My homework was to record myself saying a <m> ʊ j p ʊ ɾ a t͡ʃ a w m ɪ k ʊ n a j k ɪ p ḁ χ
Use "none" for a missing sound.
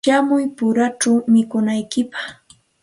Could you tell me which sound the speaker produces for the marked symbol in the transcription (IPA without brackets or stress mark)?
m